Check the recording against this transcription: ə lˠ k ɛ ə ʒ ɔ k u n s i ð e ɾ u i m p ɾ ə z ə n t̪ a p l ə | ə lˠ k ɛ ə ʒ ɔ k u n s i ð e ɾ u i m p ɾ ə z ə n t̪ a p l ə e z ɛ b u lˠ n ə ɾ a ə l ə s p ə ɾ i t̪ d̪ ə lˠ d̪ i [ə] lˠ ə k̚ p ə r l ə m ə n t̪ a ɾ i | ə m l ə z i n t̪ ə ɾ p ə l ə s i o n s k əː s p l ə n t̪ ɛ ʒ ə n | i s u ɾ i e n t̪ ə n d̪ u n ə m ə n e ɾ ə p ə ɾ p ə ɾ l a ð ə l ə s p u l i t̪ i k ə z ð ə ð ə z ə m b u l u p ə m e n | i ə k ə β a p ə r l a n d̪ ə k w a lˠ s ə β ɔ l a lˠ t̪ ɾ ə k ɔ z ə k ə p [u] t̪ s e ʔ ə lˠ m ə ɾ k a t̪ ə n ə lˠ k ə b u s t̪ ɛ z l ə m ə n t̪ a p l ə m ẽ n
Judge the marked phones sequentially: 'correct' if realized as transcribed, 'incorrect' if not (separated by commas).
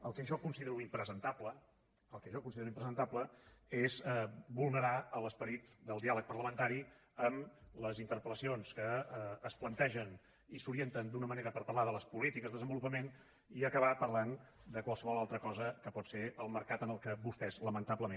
incorrect, incorrect